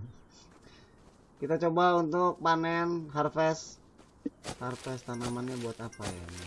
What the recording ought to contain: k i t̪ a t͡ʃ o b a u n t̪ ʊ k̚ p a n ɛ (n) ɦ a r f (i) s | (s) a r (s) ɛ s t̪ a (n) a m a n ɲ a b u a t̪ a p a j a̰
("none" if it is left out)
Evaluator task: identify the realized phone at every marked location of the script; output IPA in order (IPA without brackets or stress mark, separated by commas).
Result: n, ɛ, h, f, n